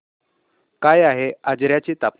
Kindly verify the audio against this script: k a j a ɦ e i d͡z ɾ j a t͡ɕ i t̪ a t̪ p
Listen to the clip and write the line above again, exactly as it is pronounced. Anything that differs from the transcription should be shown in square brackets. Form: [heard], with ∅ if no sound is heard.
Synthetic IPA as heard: k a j a ɦ e [a] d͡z ɾ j a t͡ɕ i t̪ a [∅] p